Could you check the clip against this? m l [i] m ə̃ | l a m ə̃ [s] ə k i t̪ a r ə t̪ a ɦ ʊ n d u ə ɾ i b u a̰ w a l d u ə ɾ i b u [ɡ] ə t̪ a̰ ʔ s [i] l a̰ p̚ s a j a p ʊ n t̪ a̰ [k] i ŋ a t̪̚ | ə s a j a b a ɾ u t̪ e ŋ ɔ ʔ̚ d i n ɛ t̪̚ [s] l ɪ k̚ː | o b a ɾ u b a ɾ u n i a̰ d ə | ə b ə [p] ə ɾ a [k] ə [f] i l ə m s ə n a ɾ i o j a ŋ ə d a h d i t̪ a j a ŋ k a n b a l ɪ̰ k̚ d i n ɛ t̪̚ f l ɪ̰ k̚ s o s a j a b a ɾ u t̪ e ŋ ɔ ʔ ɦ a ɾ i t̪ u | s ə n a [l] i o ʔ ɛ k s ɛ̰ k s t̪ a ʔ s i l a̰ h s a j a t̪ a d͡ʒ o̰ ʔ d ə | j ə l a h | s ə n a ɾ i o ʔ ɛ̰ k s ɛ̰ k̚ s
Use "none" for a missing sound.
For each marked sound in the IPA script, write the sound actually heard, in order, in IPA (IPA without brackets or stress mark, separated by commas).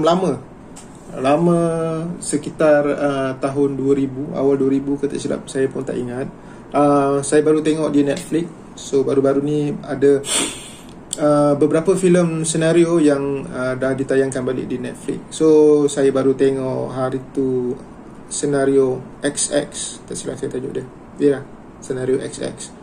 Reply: a, s, k, i, ʔ, f, b, p, f, ɾ